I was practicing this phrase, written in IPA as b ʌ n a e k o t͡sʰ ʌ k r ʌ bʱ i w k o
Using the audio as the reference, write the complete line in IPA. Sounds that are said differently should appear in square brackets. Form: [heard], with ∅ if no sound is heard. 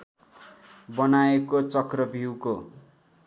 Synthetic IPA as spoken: b ʌ n a e k o [t͡s] ʌ k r ʌ bʱ i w k o

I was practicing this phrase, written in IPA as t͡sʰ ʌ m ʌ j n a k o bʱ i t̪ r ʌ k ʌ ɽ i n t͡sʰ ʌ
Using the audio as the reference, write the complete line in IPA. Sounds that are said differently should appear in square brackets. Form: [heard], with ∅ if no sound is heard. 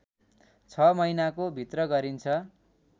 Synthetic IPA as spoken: t͡sʰ ʌ m ʌ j n a k o bʱ i t̪ r ʌ [ɡ] ʌ [ɾ] i n t͡sʰ ʌ

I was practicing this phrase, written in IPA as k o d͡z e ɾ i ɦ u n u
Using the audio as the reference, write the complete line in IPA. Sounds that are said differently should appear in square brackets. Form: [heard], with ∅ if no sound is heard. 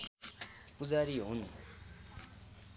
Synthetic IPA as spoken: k [u] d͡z [a] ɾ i ɦ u n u

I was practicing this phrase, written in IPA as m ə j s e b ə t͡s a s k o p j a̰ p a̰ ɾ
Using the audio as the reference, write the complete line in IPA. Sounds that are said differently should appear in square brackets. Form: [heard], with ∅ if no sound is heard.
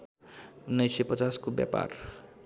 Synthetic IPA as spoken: [n] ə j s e [p] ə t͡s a s k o [b] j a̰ p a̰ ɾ

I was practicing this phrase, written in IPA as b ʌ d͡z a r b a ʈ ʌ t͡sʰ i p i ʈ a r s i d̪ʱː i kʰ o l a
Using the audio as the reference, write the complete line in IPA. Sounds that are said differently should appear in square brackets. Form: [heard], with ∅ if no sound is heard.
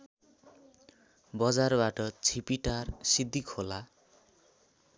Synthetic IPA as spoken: b ʌ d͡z a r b a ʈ ʌ t͡sʰ i p i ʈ a r s i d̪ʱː i kʰ o l a

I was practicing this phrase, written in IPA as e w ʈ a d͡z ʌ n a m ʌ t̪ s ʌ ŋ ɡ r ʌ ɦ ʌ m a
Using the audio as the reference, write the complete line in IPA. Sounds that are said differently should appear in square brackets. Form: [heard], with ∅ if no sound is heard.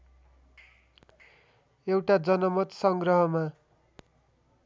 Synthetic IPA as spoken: e w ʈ a d͡z ʌ n [ʌ] m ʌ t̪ s ʌ ŋ ɡ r ʌ ɦ ʌ m a

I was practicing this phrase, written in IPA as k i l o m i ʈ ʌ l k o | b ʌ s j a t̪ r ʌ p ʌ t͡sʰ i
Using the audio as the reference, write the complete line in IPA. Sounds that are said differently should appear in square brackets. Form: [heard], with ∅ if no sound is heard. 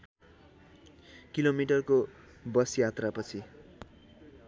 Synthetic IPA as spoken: k i l o m i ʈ ʌ [r] k o | b ʌ s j a t̪ r [a] p ʌ t͡sʰ i

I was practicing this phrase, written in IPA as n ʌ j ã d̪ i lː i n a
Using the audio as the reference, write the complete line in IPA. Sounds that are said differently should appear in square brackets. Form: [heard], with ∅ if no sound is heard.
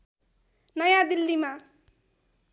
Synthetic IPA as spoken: n ʌ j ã d̪ i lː i [m] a

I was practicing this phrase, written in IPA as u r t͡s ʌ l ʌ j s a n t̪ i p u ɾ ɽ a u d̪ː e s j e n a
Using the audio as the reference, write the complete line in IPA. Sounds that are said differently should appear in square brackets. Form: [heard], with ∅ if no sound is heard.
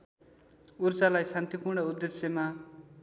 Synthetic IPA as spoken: u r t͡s [a] l [a] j s a n t̪ i p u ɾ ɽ [ʌ] u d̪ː e s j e [m] a

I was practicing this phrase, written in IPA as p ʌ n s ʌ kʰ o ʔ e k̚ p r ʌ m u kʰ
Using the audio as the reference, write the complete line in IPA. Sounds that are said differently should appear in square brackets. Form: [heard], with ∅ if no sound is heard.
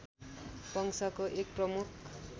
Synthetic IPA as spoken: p ʌ [ŋ] s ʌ [k] o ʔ e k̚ p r ʌ m u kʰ

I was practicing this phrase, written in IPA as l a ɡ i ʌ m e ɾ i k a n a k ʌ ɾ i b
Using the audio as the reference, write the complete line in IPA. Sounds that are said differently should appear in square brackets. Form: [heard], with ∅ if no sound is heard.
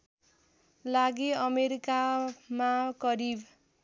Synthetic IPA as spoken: l a ɡ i ʌ m e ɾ i k a [m] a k ʌ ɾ i b

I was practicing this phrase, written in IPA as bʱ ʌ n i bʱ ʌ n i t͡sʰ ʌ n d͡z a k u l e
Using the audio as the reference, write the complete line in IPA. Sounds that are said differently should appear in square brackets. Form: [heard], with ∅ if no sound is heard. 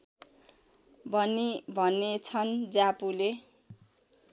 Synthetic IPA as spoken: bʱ ʌ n i bʱ ʌ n [e] t͡sʰ ʌ n d͡z a [p] u l e

